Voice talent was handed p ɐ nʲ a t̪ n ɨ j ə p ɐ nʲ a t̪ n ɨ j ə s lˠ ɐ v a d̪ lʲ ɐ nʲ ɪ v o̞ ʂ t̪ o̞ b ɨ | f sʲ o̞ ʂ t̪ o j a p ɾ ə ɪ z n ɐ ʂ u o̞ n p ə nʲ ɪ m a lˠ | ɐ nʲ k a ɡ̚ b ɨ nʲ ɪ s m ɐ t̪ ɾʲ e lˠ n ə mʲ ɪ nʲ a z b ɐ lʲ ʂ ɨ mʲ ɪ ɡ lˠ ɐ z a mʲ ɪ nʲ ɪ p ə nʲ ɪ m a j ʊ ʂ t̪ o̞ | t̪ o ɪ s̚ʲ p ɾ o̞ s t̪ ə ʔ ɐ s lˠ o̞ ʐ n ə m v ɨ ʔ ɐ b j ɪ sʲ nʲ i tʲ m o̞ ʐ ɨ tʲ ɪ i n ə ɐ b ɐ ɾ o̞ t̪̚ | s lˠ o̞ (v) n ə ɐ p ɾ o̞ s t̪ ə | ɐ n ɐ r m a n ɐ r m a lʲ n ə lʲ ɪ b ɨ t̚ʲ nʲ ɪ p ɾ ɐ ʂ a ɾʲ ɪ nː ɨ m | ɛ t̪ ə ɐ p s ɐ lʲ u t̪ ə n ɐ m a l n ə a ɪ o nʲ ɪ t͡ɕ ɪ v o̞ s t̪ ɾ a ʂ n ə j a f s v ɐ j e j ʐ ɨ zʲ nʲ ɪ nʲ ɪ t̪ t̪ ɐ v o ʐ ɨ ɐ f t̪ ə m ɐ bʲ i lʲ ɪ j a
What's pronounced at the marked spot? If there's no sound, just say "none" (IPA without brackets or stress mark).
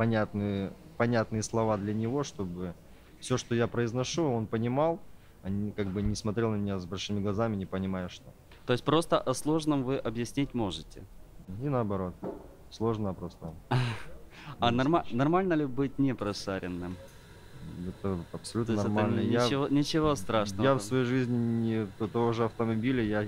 ʐ